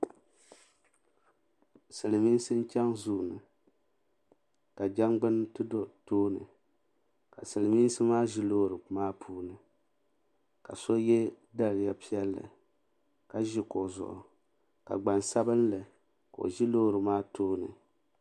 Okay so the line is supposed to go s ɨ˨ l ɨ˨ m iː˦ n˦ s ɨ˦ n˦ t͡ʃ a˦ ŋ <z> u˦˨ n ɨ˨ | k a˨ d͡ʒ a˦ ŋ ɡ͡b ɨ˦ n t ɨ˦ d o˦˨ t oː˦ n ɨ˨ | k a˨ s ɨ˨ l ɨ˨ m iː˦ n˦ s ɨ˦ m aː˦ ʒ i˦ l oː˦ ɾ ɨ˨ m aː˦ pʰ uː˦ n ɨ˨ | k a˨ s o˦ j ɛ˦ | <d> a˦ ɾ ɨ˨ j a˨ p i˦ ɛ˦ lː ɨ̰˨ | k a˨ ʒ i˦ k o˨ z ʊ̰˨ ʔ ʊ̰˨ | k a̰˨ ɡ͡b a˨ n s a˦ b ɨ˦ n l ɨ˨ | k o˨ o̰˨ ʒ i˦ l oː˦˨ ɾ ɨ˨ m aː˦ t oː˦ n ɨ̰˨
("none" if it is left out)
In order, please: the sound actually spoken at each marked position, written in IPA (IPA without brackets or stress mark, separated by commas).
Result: z, d